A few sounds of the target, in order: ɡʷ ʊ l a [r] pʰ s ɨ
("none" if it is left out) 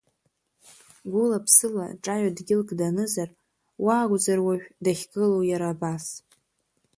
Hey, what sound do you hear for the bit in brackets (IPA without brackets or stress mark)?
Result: none